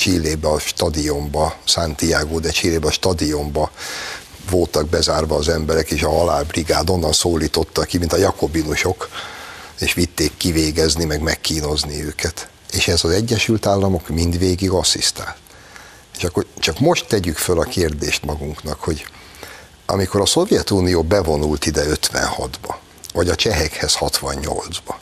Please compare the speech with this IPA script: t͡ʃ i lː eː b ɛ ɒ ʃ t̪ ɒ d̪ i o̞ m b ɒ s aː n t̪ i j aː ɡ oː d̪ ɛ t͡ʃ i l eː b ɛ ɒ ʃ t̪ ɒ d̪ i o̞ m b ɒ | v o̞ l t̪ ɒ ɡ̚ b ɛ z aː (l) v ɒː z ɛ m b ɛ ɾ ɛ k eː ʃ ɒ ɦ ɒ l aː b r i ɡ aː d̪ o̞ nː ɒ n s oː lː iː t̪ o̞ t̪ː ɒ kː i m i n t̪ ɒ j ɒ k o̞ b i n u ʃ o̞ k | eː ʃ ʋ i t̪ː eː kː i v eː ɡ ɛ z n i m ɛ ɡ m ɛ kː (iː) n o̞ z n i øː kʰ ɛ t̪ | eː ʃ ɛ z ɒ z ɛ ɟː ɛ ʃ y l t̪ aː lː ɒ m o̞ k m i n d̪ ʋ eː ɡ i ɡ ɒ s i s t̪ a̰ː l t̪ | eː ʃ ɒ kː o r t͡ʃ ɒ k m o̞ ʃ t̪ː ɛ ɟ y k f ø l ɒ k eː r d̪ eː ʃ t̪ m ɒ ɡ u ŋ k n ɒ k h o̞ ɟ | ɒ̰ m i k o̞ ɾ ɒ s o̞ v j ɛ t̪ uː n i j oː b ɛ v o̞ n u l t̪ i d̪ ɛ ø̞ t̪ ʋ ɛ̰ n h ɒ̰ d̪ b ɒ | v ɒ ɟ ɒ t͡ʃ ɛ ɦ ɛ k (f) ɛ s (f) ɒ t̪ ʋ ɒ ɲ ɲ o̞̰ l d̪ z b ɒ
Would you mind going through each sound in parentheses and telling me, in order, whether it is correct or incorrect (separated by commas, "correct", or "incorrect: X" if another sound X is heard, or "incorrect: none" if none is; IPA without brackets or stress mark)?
incorrect: r, correct, incorrect: h, incorrect: h